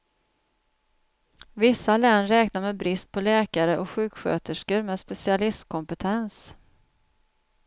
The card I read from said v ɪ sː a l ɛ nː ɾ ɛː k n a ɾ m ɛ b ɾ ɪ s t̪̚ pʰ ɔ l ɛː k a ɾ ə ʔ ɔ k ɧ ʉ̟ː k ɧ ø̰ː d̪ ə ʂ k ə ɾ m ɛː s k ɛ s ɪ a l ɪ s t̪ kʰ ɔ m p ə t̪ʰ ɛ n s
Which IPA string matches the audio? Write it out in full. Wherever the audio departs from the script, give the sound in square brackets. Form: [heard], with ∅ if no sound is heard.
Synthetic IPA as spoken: v ɪ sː a l ɛ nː ɾ ɛː k n a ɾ m ɛ b ɾ ɪ s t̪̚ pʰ ɔ l ɛː k a ɾ ə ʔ ɔ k ɧ ʉ̟ː k ɧ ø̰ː [t̪] ə ʂ k ə ɾ m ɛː s [p] ɛ s ɪ a l ɪ s t̪ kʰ ɔ m p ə t̪ʰ ɛ n s